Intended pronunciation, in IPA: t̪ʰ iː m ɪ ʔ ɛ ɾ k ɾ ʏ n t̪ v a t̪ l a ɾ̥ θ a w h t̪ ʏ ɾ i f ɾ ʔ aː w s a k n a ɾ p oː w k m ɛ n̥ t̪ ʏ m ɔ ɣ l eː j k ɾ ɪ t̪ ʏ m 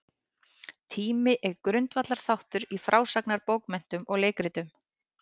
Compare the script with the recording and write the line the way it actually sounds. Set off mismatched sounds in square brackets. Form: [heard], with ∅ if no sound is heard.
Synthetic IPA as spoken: t̪ʰ iː m ɪ ʔ ɛ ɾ k ɾ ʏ n t̪ v a t̪ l a ɾ̥ θ a w h t̪ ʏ ɾ i f ɾ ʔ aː w s a k n a ɾ p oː w k m ɛ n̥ t̪ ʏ m ɔ ɣ l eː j k ɾ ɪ t̪ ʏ m